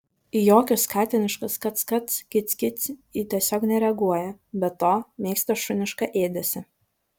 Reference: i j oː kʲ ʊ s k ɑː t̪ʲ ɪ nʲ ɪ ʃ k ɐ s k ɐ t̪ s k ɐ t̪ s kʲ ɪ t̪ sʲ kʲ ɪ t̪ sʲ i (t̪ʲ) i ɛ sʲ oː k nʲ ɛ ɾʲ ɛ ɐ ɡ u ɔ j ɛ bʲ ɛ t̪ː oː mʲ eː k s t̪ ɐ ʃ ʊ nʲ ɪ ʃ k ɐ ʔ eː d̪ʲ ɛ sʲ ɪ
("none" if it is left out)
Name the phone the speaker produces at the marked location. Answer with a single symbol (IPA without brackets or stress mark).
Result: t̪ʲ